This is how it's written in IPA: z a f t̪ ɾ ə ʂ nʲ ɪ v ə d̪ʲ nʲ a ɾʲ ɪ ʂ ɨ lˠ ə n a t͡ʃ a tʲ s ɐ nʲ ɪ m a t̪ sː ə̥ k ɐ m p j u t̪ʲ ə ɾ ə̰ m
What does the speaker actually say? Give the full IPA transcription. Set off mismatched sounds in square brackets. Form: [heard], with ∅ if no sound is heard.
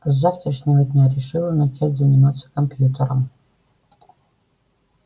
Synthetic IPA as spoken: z a f t̪ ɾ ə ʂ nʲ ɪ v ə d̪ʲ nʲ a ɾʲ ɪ ʂ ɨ lˠ ə n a t͡ʃ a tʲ [z] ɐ nʲ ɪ m a t̪ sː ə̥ k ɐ m p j u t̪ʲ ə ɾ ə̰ m